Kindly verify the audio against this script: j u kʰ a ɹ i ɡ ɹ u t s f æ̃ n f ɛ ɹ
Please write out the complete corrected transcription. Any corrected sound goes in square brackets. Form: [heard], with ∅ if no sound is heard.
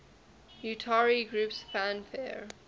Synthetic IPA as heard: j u [tʰ] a ɹ i ɡ ɹ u [p] s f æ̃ n f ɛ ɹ